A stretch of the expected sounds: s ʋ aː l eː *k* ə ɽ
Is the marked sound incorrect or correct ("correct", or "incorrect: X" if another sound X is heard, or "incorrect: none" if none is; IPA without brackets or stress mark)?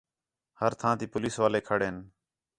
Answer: incorrect: kʰ